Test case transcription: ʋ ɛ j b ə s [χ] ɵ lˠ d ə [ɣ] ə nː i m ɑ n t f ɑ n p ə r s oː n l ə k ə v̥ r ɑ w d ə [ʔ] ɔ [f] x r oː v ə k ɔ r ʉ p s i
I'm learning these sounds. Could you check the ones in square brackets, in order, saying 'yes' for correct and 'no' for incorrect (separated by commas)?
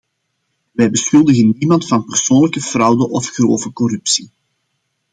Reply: no, yes, yes, yes